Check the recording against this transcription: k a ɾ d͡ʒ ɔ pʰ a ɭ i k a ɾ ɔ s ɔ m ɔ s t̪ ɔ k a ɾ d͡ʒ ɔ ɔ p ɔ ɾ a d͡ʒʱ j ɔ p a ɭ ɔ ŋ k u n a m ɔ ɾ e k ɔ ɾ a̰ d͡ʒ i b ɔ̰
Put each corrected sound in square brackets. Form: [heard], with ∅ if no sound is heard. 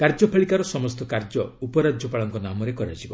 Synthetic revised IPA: k a ɾ d͡ʒ ɔ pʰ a ɭ i k a ɾ ɔ s ɔ m ɔ s t̪ ɔ k a ɾ d͡ʒ ɔ [u] p ɔ ɾ a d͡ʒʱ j ɔ p a ɭ ɔ ŋ k [ɔ] n a m ɔ ɾ e k ɔ ɾ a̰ d͡ʒ i b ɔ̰

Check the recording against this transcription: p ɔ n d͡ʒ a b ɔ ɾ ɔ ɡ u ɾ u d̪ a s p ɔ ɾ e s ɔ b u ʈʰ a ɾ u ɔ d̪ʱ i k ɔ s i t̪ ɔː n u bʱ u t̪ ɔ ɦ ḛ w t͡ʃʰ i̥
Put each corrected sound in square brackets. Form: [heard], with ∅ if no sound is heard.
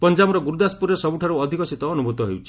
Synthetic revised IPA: p ɔ n d͡ʒ a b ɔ ɾ ɔ ɡ u ɾ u d̪ a s p [u] ɾ e s ɔ b u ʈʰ a ɾ u ɔ d̪ʱ i k ɔ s i t̪ ɔː n u bʱ u t̪ ɔ ɦ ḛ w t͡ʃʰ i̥

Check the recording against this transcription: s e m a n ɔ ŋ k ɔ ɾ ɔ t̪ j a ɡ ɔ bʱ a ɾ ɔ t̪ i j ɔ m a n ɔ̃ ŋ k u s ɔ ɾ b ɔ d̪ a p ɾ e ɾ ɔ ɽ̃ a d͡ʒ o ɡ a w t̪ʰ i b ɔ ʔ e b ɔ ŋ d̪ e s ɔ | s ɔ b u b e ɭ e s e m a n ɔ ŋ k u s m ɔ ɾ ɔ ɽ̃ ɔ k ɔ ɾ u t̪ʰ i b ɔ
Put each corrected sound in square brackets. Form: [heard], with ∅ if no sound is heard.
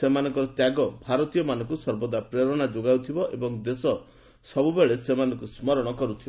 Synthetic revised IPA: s e m a n ɔ ŋ k ɔ ɾ ɔ t̪ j a ɡ ɔ bʱ a ɾ ɔ t̪ i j ɔ m a n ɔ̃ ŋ k u s ɔ ɾ b ɔ d̪ a p ɾ e ɾ ɔ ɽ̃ a d͡ʒ o ɡ a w t̪ʰ i b ɔ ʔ e b ɔ ŋ d̪ e s ɔ | s ɔ b u b e ɭ e s e m a n ɔ ŋ k u s m ɔ ɾ ɔ ɽ̃ ɔ k ɔ ɾ u t̪ʰ i b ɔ

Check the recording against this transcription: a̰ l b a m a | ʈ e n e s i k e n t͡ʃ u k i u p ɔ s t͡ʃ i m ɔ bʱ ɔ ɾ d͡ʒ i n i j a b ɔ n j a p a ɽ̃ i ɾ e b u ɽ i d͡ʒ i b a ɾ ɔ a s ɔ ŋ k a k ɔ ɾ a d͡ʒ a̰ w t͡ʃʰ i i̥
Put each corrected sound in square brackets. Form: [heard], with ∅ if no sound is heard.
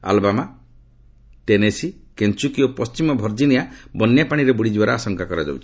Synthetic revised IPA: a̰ l b a m a | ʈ e n e s i k e n t͡ʃ u k i [o] p ɔ s t͡ʃ i m ɔ bʱ ɔ ɾ d͡ʒ i n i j a b ɔ n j a p a ɽ̃ i ɾ e b u ɽ i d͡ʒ i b a ɾ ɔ a s ɔ ŋ k a k ɔ ɾ a d͡ʒ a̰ w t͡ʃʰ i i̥

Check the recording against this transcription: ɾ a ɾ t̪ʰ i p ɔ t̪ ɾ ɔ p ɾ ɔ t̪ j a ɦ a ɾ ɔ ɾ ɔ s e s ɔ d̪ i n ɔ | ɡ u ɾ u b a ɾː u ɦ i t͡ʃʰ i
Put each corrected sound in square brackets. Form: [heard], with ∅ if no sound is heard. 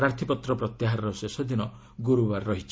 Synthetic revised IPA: ɾ a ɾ t̪ʰ i p ɔ t̪ ɾ ɔ p ɾ ɔ t̪ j a ɦ a ɾ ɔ ɾ ɔ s e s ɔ d̪ i n ɔ | ɡ u ɾ u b a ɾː [ɔ] ɦ i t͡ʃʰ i

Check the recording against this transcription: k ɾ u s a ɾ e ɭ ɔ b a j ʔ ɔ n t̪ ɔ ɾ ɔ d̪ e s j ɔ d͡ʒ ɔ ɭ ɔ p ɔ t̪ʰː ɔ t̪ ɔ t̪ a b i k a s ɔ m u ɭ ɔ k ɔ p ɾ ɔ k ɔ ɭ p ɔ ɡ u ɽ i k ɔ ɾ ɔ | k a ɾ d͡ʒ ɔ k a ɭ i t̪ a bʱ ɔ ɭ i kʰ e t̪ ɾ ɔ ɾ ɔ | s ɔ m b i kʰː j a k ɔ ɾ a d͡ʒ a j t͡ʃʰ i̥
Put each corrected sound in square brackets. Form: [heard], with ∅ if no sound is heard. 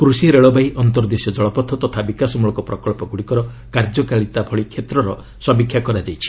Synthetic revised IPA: k ɾ u s [i] ɾ e ɭ ɔ b a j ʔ ɔ n t̪ ɔ ɾ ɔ d̪ e s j ɔ d͡ʒ ɔ ɭ ɔ p ɔ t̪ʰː ɔ t̪ ɔ [t̪ʰ] a b i k a s ɔ m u ɭ ɔ k ɔ p ɾ ɔ k ɔ ɭ p ɔ ɡ u ɽ i k ɔ ɾ ɔ | k a ɾ d͡ʒ ɔ k a ɭ i t̪ a bʱ ɔ ɭ i kʰ e t̪ ɾ ɔ ɾ ɔ | s ɔ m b i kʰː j a k ɔ ɾ a d͡ʒ a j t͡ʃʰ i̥

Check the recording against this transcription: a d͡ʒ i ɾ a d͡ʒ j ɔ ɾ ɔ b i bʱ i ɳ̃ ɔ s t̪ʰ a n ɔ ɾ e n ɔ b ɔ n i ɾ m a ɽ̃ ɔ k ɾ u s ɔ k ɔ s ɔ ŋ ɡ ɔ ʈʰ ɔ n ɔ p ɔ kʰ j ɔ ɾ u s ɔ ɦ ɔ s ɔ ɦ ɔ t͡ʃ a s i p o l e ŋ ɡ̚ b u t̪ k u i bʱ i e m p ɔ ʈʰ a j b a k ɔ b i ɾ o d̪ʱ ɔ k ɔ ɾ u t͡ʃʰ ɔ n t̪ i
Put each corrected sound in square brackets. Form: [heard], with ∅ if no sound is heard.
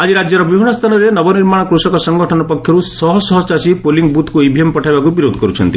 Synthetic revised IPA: a d͡ʒ i ɾ a d͡ʒ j ɔ ɾ ɔ b i bʱ i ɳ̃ ɔ s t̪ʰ a n ɔ ɾ e n ɔ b ɔ n i ɾ m a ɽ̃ ɔ k ɾ u s ɔ k ɔ s ɔ ŋ ɡ ɔ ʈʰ ɔ n ɔ p ɔ kʰ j ɔ ɾ u s ɔ ɦ ɔ s ɔ ɦ ɔ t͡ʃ a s i p o l [i] ŋ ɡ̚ b u t̪ k u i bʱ i e m p ɔ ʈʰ a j b a k [u] b i ɾ o d̪ʱ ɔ k ɔ ɾ u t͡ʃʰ ɔ n t̪ i

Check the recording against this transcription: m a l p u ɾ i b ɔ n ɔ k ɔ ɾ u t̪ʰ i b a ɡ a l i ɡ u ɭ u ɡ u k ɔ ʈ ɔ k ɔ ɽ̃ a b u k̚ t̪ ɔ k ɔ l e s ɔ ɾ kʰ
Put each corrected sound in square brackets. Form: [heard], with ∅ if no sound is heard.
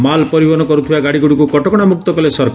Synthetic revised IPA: m a l p [ɔ] ɾ i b ɔ n ɔ k ɔ ɾ u t̪ʰ i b a ɡ a [ɽ] i ɡ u [ɽ] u [k] u k ɔ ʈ ɔ k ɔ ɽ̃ a [m] u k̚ t̪ ɔ k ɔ l e s ɔ ɾ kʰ

